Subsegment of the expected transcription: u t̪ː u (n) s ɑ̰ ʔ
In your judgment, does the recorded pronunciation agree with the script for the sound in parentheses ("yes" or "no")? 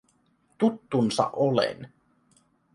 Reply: yes